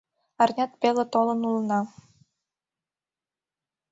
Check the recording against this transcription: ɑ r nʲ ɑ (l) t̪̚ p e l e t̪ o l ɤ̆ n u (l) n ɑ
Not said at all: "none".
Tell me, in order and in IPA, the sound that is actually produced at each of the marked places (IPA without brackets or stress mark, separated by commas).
none, l